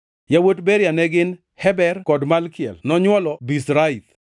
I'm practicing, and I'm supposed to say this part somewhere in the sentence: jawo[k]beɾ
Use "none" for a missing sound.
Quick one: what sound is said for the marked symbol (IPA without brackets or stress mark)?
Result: t